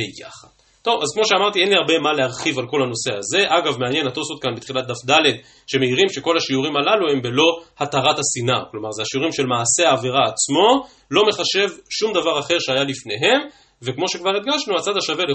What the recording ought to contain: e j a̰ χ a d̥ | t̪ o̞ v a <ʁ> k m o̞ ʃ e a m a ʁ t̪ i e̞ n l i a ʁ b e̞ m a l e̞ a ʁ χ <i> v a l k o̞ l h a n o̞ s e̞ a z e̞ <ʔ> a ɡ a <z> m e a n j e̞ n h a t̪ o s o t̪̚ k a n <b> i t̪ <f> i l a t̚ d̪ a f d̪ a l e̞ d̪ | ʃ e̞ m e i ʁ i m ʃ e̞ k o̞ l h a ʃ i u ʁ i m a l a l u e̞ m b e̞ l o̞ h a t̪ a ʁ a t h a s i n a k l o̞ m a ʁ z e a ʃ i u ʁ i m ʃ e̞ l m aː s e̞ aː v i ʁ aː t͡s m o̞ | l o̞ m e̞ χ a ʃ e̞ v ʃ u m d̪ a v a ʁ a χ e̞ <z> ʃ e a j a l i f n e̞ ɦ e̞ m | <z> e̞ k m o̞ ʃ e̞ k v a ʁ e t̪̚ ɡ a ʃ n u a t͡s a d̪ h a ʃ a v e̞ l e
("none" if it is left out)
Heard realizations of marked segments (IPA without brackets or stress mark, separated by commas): z, i, ʔ, v, b, χ, ʁ, v